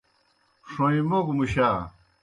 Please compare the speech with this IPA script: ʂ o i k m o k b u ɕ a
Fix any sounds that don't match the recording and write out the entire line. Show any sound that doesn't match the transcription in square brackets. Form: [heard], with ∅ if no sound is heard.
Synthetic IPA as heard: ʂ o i [∅] m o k [m] u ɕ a